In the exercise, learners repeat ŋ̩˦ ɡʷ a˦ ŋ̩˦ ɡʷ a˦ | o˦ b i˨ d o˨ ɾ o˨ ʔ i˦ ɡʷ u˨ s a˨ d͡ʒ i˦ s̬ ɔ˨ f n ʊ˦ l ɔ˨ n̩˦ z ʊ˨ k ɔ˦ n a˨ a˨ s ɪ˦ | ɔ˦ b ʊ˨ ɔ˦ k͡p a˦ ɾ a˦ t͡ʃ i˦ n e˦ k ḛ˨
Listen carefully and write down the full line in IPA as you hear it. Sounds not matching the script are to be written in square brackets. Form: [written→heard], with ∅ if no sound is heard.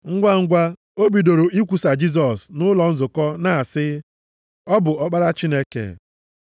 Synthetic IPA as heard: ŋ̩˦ ɡʷ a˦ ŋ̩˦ ɡʷ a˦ | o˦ b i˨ d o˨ ɾ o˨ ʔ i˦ [ɡʷ→kʷ] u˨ s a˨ d͡ʒ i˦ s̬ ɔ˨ [f→s] n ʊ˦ l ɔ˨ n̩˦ z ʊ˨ k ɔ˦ n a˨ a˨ s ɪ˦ | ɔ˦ b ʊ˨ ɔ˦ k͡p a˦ ɾ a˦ t͡ʃ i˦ n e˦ k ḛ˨